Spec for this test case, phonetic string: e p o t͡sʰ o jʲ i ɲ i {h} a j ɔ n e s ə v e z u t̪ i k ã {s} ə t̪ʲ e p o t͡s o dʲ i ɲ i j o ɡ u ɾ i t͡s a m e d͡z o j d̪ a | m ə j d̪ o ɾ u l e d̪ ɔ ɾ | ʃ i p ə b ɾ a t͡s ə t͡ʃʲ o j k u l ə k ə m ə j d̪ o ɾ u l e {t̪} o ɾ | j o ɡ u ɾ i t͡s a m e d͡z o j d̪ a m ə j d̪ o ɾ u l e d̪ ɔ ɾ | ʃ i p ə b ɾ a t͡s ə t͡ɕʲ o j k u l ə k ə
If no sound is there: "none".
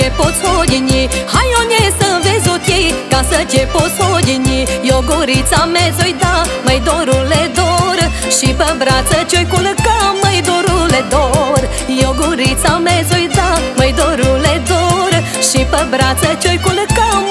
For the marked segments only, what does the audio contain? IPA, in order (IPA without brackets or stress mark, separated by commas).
h, s, d̪